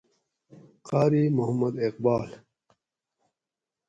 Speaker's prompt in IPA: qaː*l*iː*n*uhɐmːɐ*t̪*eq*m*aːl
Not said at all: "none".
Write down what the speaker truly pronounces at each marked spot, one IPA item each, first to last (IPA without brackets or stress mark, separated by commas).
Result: ɾ, m, d̪, b